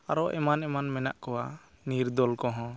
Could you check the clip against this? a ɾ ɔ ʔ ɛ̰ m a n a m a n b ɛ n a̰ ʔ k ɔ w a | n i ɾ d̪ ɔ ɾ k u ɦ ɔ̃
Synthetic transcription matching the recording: a ɾ ɔ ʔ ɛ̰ m a n ɛ m a n m ɛ n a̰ ʔ k ɔ w a | n i ɾ d̪ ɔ l k ɔ ɦ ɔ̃